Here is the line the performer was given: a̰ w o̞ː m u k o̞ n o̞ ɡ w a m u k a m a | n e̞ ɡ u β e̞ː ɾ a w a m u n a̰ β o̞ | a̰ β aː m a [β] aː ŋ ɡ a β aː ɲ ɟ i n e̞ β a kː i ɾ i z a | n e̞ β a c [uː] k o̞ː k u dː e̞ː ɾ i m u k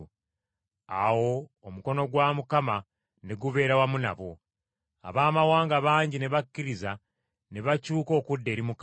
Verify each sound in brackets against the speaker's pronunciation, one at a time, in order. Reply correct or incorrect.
incorrect: w, correct

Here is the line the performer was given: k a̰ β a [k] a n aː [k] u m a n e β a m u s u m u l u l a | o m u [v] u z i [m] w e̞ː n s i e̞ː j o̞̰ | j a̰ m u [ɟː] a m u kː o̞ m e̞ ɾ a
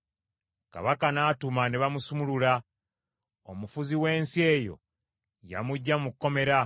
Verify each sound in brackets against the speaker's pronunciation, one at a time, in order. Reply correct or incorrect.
correct, incorrect: t, incorrect: f, incorrect: none, correct

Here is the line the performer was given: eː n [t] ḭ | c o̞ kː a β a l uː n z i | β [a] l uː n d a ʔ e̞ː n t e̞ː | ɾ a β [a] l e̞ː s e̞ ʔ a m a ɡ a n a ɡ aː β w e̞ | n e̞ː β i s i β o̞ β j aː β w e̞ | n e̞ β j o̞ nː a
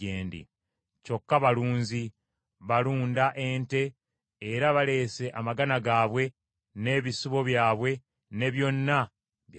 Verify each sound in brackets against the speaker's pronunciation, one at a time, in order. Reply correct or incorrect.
incorrect: d, correct, correct

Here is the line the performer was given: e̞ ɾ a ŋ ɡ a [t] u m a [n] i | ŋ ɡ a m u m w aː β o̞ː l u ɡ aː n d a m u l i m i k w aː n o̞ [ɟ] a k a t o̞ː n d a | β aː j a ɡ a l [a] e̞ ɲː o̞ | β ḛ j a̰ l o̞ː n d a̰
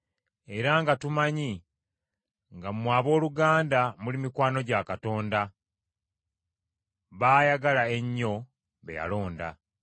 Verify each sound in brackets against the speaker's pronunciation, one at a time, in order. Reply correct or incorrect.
correct, incorrect: ɲ, correct, correct

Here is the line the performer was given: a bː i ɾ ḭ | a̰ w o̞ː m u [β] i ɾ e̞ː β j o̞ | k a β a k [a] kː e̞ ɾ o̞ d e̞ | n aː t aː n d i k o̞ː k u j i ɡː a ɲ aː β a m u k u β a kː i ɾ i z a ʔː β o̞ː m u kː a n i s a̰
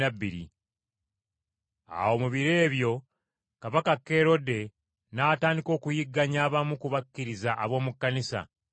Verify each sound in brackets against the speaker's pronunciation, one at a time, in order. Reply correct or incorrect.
correct, correct

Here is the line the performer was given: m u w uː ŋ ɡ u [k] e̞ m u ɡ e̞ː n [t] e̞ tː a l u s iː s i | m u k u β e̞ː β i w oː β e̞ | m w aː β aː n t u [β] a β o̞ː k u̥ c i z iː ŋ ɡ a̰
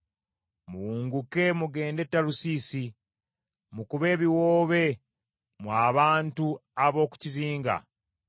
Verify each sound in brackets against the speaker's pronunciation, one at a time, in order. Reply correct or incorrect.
correct, incorrect: d, incorrect: none

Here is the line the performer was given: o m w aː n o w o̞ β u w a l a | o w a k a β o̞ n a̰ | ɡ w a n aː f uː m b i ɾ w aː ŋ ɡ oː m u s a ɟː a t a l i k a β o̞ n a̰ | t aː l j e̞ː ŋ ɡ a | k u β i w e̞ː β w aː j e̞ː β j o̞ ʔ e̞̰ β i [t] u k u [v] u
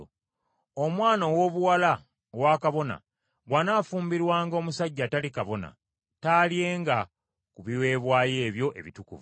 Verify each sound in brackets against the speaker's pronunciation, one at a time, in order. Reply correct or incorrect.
correct, correct

